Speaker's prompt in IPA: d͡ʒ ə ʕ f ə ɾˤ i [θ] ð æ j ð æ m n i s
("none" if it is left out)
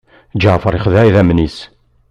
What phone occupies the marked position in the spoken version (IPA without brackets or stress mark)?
χ